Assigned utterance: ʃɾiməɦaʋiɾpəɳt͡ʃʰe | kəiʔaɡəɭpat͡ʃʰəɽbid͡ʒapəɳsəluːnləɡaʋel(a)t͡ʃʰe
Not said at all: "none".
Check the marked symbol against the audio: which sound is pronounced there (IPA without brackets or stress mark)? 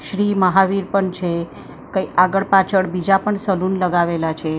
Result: a